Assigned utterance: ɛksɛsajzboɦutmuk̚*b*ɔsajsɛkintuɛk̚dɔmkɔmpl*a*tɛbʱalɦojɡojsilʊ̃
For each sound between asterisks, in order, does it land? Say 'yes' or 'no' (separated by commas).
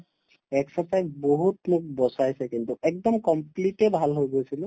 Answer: yes, no